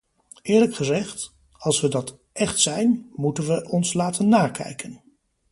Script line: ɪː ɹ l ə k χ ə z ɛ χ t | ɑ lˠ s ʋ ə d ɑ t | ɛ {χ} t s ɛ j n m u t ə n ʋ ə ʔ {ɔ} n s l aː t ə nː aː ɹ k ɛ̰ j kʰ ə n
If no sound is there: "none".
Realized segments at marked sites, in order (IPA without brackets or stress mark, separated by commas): χ, ɔ